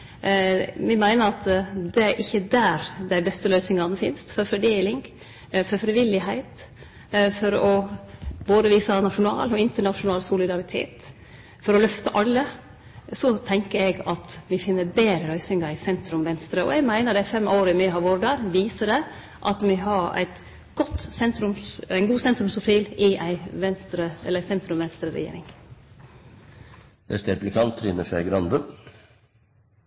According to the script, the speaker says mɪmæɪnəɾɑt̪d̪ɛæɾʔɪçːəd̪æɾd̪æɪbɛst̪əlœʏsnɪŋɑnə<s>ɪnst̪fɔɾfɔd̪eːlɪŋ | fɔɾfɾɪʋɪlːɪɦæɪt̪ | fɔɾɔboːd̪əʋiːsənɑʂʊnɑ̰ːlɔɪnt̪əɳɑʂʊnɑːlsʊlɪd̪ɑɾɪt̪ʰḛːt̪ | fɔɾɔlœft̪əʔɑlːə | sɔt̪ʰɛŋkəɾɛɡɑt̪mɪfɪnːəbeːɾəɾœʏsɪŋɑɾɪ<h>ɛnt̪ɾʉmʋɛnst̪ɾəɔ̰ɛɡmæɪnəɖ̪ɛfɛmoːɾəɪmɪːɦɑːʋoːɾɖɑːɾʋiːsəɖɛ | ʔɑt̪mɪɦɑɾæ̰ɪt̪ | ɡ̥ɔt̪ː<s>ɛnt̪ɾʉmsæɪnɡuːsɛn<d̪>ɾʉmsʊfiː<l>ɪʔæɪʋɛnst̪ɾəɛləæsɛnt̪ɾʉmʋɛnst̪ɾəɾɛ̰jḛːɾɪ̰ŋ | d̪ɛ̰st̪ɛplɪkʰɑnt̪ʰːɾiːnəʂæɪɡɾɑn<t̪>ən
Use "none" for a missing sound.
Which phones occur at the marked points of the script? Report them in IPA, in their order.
f, s, s, t̪, l, d̪

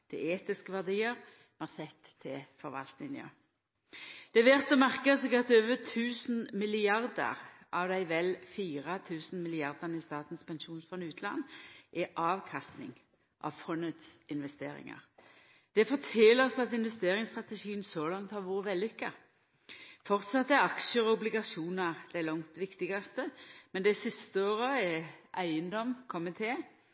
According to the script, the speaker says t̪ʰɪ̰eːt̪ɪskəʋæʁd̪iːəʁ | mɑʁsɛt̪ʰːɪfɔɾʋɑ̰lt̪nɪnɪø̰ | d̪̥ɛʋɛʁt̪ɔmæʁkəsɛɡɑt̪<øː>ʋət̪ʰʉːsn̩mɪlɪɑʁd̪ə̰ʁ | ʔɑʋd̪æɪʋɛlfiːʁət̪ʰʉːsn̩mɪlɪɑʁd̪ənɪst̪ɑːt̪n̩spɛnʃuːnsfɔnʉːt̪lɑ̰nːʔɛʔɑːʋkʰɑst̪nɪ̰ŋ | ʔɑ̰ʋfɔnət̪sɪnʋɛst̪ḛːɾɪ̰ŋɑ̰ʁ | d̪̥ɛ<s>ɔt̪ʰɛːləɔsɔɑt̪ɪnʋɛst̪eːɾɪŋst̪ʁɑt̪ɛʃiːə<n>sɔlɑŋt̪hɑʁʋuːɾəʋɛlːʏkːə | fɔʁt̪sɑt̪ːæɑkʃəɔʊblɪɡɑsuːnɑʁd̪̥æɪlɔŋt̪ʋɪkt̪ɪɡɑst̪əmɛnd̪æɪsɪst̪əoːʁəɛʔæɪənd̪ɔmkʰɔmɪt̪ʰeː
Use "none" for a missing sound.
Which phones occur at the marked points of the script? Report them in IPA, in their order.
øː, f, n

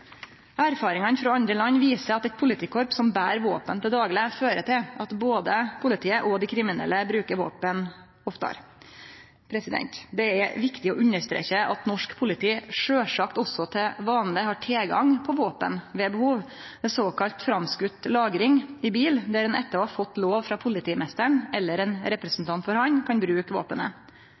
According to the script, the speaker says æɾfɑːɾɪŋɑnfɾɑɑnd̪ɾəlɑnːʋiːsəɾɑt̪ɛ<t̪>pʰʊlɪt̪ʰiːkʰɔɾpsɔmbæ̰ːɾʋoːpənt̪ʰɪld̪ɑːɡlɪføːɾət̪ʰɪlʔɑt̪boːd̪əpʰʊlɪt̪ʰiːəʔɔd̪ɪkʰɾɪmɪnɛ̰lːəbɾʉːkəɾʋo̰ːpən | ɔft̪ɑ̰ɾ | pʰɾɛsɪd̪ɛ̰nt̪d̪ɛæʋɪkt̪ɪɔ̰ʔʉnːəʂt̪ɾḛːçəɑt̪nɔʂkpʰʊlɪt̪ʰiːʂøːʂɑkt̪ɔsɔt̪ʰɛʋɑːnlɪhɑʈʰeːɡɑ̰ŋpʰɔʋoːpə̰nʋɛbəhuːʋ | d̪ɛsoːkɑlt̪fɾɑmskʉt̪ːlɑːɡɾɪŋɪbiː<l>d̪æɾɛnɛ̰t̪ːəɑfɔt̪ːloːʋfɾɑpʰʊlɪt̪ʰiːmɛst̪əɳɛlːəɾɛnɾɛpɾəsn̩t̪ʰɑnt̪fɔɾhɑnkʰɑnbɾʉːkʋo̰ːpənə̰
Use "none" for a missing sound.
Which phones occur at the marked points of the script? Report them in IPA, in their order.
t̪, l

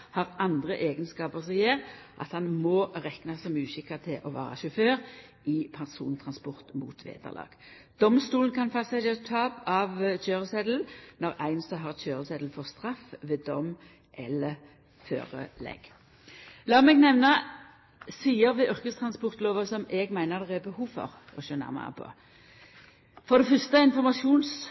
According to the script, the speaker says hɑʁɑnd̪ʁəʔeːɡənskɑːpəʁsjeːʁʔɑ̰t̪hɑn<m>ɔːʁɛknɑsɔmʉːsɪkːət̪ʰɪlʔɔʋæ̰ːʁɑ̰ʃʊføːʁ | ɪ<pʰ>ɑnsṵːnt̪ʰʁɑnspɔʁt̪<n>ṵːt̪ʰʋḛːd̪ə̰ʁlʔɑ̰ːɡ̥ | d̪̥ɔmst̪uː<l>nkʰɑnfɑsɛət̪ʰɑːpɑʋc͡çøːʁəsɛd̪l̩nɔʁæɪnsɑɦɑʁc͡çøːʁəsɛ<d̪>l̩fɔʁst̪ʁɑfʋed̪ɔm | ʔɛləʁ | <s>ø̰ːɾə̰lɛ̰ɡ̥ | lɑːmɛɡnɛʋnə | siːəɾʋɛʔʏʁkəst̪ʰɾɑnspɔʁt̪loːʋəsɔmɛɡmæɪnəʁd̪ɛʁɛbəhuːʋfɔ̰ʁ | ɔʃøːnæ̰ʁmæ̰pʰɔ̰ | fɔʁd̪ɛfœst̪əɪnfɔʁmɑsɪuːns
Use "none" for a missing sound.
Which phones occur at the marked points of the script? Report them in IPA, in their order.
m, pʰ, m, l, d̪, f

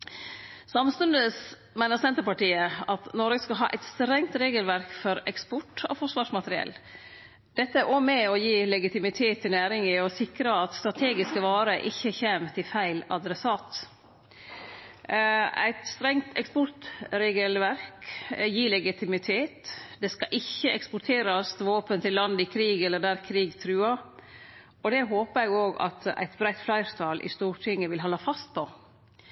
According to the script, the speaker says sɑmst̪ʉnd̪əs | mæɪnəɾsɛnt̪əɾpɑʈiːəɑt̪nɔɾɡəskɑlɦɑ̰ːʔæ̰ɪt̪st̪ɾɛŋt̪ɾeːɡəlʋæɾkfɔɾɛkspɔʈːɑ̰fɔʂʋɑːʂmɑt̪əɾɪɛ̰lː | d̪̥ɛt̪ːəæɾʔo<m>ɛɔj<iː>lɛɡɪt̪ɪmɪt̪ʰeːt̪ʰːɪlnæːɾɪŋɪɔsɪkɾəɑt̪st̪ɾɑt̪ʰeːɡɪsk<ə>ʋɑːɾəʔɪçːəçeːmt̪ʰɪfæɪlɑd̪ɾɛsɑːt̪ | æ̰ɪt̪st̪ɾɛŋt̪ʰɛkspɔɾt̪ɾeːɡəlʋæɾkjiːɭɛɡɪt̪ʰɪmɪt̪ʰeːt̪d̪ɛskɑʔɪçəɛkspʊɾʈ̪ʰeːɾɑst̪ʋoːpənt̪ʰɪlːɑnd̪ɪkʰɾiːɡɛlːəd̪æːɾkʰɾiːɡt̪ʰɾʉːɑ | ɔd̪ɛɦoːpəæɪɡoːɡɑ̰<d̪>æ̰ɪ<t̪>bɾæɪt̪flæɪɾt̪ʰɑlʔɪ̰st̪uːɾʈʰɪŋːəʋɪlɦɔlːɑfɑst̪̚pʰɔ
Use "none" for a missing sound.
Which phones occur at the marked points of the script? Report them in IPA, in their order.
m, iː, ə, t̪, t̪

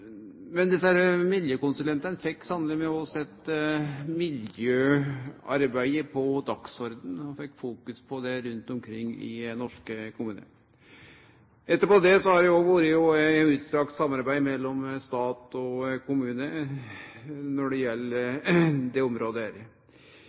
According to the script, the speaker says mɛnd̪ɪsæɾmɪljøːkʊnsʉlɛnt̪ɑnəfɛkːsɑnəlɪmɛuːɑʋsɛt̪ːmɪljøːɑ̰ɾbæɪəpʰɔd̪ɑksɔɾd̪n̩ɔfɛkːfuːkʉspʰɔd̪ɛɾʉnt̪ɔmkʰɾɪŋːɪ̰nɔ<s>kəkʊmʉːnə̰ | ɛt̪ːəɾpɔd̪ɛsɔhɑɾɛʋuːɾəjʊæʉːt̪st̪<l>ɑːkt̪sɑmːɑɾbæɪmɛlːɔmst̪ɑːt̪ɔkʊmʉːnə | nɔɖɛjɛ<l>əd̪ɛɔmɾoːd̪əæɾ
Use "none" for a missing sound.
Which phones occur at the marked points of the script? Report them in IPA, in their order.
ʂ, ɾ, lː

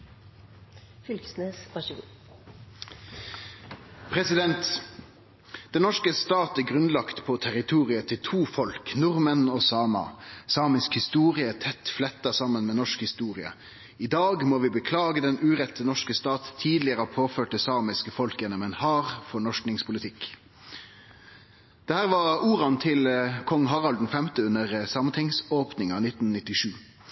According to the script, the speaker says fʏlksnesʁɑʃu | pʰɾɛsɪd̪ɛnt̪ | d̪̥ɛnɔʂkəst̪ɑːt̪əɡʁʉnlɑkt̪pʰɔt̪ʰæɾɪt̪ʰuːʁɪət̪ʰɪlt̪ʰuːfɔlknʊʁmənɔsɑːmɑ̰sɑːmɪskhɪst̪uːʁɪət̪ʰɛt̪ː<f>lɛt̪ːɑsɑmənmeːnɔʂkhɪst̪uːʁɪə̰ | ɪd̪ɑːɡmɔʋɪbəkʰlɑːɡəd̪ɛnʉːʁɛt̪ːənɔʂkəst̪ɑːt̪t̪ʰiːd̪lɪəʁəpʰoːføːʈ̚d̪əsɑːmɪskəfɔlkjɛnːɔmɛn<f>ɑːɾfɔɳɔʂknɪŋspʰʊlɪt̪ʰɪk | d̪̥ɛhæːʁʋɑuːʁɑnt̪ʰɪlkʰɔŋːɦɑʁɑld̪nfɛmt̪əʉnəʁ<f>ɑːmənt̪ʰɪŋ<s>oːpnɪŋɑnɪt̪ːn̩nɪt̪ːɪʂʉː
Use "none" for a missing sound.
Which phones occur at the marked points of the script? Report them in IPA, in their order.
f, h, s, s

